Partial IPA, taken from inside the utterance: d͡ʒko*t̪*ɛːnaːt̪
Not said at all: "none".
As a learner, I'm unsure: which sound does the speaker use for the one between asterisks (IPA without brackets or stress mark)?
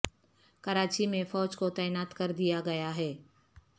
t̪